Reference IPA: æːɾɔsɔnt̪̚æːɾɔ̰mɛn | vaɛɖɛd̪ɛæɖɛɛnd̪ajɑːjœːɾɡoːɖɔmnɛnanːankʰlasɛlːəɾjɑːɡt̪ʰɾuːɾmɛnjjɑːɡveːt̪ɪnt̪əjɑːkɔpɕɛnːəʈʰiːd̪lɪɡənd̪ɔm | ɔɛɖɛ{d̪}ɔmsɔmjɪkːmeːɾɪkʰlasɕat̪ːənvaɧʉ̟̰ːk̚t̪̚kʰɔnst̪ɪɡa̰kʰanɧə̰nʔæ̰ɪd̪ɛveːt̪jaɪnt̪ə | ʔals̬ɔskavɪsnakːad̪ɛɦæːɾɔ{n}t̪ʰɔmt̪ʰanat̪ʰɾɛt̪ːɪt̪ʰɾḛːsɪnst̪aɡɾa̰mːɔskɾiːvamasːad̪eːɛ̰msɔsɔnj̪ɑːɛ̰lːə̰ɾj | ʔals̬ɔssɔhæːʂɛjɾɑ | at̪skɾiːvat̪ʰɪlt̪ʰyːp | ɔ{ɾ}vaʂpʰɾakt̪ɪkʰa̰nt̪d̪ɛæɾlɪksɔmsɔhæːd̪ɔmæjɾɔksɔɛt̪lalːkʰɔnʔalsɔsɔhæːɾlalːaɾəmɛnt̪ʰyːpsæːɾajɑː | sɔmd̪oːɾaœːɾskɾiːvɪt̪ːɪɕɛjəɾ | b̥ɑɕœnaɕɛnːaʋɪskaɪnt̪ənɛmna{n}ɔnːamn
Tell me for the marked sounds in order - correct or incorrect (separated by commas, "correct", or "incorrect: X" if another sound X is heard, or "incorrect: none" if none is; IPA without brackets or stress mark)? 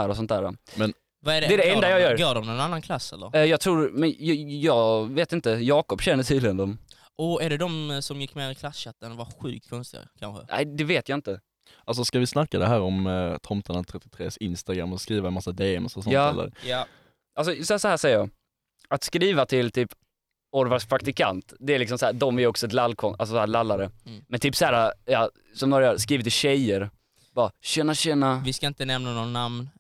correct, incorrect: m, correct, correct